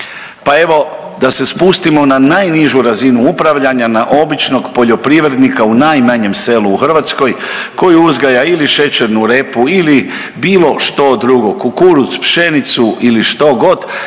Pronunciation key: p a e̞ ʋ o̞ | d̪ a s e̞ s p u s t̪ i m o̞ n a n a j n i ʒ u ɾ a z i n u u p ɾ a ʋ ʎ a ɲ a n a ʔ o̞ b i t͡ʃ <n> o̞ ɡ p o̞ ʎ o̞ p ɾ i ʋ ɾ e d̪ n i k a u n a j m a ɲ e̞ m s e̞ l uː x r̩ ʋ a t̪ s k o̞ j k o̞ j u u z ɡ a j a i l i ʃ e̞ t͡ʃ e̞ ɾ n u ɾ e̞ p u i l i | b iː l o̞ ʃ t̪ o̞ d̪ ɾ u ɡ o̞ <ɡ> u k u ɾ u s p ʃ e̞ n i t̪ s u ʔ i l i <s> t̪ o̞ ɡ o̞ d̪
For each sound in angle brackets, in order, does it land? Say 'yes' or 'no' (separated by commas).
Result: yes, no, no